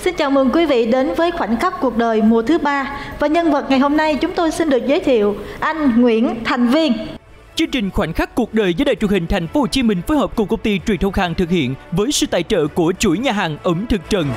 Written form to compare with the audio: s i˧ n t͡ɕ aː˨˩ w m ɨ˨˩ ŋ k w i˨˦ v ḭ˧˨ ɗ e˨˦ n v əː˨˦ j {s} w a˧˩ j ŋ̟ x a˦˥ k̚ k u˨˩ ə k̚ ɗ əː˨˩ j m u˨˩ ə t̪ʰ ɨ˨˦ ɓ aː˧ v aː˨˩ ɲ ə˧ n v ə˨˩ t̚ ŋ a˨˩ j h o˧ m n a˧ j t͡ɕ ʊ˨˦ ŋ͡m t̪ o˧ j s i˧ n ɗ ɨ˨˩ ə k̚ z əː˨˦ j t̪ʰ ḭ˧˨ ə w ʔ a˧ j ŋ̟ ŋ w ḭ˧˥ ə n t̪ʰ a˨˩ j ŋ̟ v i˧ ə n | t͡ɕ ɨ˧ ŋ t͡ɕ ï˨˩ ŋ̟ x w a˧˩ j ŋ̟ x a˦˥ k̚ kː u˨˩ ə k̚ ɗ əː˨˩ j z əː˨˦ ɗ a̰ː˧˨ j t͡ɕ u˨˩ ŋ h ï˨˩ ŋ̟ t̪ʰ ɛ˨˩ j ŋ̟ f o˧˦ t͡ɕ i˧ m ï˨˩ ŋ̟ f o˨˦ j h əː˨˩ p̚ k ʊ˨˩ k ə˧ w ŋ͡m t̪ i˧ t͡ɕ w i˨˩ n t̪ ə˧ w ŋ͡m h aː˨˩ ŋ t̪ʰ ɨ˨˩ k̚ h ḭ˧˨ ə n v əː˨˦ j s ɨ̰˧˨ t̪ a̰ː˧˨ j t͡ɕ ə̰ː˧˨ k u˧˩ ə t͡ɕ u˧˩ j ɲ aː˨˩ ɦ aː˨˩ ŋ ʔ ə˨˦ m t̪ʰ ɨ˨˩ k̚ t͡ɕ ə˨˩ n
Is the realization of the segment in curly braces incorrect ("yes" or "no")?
yes